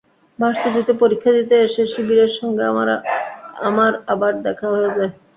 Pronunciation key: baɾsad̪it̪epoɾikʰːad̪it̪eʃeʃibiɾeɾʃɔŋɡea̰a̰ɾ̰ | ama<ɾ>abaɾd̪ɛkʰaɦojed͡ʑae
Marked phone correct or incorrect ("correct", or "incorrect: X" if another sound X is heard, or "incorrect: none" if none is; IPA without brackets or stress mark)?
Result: correct